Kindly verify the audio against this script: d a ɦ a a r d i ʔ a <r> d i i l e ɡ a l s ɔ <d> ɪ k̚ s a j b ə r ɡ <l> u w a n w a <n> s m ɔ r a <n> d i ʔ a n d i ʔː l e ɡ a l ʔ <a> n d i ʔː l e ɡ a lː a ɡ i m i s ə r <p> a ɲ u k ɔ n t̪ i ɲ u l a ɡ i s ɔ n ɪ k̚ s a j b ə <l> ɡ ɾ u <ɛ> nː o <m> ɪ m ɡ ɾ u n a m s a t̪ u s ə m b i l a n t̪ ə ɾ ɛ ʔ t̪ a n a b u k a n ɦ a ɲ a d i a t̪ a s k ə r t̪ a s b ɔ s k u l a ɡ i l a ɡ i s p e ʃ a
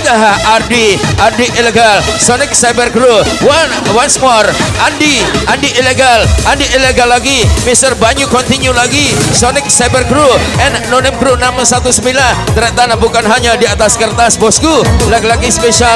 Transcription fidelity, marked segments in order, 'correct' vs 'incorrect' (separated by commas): correct, incorrect, incorrect, correct, correct, correct, incorrect, incorrect, correct, incorrect